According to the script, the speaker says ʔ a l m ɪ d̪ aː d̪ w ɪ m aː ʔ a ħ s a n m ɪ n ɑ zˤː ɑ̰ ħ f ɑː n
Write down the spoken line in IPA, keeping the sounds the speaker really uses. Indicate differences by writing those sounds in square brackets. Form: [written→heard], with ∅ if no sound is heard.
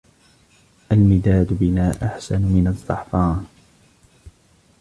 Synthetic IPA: ʔ a l m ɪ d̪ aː d̪ [w→b] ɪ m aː ʔ a ħ s a n m ɪ n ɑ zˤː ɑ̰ ħ f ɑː n